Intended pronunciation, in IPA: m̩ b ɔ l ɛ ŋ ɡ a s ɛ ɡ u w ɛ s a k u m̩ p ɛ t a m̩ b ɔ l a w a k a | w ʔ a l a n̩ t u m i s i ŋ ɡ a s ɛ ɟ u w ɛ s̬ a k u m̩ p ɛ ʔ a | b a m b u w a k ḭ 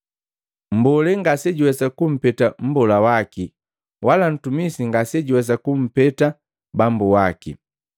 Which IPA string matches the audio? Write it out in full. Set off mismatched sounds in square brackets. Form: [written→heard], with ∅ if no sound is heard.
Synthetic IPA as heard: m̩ b ɔ l ɛ ŋ ɡ a s ɛ [ɡ→ɟ] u w ɛ s a k u m̩ p ɛ t a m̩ b ɔ l a w a k [a→i] | w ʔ a l a n̩ t u m i s i ŋ ɡ a s ɛ ɟ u w ɛ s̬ a k u m̩ p ɛ [ʔ→t] a | b a m b u w a k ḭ